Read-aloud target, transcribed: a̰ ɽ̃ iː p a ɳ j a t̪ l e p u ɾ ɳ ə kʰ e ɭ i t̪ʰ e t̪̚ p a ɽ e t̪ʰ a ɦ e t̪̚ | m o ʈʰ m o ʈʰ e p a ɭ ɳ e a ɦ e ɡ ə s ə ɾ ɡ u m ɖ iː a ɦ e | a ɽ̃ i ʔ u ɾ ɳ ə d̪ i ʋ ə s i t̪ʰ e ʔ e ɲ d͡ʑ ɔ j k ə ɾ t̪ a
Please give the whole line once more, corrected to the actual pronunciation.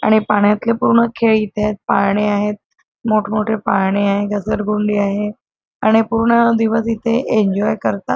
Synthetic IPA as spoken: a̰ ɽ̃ i p a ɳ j a t̪ l e p u ɾ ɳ ə kʰ e ɭ i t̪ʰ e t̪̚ p a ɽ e a ɦ e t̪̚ | m o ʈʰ m o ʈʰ e p a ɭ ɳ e a ɦ e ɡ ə s ə ɾ ɡ u ɳ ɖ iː a ɦ e | a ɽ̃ i p u ɾ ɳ ə d̪ i ʋ ə s i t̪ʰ e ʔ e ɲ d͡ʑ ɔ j k ə ɾ t̪ a